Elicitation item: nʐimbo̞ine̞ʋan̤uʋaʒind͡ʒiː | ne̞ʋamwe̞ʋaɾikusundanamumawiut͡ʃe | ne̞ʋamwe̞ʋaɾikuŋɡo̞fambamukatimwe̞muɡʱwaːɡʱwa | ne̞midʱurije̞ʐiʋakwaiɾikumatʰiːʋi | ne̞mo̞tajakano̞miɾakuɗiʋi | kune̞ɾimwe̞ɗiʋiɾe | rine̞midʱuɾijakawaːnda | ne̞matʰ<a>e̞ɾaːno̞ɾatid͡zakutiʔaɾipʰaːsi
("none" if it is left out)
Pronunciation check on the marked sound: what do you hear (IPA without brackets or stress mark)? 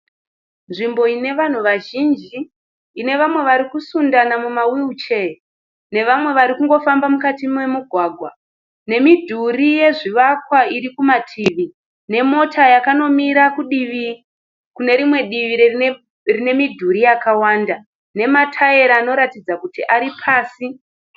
a